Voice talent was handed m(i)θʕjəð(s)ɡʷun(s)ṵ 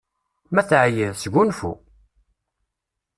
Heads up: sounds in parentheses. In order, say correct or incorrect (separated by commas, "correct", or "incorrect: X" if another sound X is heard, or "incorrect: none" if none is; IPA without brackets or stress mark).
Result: incorrect: æ, correct, incorrect: f